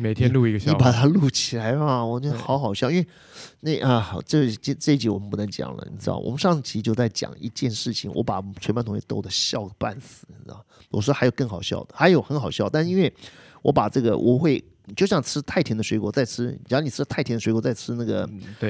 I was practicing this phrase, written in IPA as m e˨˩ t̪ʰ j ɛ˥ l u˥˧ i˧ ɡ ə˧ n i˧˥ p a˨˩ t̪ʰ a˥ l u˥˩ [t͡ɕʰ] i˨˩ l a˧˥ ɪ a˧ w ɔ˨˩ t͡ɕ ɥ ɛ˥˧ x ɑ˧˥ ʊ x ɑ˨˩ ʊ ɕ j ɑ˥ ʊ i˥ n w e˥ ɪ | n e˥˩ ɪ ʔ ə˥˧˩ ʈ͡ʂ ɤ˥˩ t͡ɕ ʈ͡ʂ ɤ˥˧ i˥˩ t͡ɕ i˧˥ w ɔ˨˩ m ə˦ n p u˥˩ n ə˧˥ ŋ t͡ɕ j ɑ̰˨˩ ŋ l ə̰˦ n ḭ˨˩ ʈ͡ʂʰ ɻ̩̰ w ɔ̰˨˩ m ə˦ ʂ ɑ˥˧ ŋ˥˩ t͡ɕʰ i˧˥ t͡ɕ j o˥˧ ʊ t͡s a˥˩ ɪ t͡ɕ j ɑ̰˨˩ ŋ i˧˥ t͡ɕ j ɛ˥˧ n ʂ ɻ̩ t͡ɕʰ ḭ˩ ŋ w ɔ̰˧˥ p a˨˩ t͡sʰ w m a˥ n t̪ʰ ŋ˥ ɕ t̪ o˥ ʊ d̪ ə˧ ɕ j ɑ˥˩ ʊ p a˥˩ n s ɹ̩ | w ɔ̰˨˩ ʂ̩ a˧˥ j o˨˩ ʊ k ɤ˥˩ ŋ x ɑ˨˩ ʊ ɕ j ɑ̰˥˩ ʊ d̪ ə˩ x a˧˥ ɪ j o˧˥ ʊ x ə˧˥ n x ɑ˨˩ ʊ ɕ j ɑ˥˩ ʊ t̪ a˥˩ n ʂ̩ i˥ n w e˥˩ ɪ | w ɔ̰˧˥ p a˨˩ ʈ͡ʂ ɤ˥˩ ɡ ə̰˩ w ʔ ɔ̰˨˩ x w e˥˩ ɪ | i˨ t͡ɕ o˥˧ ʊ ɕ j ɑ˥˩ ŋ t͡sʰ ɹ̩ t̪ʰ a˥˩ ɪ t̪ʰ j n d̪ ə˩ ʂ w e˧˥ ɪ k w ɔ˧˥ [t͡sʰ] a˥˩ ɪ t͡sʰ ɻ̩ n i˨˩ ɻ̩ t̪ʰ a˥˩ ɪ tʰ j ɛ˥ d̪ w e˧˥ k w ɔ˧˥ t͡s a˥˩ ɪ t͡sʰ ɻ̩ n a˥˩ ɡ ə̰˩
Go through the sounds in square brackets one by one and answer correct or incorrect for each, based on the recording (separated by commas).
correct, incorrect